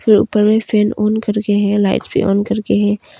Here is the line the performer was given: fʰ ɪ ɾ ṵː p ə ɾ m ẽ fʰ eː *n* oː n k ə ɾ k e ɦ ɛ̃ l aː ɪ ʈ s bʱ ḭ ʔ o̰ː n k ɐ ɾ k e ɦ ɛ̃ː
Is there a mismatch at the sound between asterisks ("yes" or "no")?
no